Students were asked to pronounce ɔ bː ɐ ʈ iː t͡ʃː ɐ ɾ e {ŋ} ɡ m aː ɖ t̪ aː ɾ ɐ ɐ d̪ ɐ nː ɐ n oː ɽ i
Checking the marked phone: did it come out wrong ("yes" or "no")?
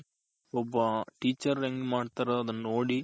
no